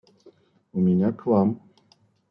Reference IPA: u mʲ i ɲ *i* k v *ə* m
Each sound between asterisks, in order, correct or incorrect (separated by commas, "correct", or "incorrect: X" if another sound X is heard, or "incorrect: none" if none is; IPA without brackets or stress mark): incorrect: a, incorrect: a